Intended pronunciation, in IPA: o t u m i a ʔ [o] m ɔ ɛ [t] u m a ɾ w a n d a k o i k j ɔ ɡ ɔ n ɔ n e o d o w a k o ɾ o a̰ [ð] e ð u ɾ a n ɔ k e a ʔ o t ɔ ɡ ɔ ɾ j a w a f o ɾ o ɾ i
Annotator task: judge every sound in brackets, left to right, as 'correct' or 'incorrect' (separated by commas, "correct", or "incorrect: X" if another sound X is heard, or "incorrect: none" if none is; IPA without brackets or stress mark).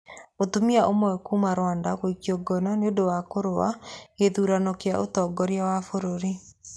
correct, incorrect: k, incorrect: none